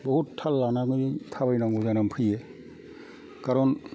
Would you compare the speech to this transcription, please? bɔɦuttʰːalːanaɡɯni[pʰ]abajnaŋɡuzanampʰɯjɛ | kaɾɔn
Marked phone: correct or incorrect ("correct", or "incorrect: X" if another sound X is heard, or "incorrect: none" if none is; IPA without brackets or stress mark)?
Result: incorrect: tʰ